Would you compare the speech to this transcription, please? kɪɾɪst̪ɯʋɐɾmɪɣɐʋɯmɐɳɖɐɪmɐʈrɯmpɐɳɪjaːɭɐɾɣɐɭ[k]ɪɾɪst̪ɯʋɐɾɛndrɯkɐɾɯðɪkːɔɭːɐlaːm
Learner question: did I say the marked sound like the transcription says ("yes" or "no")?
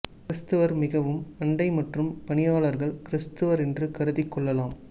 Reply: yes